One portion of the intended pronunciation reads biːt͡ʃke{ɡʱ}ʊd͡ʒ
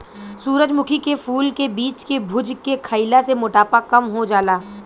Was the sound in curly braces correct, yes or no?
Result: no